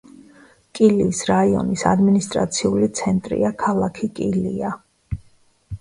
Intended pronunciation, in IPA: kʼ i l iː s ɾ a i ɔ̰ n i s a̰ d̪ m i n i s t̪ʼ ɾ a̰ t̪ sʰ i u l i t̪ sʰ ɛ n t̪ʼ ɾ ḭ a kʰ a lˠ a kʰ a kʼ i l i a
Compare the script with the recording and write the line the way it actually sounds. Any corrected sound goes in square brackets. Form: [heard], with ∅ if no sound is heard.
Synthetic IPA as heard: kʼ i l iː s ɾ a i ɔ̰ n i s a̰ d̪ m i n i s t̪ʼ ɾ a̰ t̪ sʰ i u l i t̪ sʰ ɛ n t̪ʼ ɾ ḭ a kʰ a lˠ a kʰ [i] kʼ i l i a